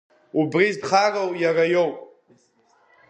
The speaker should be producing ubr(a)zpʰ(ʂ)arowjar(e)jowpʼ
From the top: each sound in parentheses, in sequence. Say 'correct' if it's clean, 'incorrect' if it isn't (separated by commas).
incorrect, incorrect, incorrect